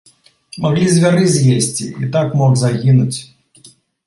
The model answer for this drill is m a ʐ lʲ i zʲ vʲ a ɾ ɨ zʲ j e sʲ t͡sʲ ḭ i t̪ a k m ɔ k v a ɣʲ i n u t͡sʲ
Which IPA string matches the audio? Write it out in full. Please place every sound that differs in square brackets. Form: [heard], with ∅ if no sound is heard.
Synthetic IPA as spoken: m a [ɣ] lʲ i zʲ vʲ a ɾ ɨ zʲ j e sʲ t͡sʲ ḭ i t̪ a k m ɔ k [z] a ɣʲ i n u t͡sʲ